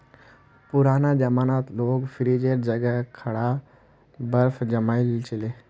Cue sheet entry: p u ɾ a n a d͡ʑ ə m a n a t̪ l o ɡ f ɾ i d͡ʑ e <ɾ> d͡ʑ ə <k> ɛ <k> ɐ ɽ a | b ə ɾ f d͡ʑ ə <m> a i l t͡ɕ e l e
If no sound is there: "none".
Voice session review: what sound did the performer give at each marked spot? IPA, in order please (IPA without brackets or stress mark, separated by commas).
ɾ, ɡ, kʰ, m